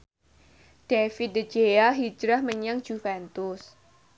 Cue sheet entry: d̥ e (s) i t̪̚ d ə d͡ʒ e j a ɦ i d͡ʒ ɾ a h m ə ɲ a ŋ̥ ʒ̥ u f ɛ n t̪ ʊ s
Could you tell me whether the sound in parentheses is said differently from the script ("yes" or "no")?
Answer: yes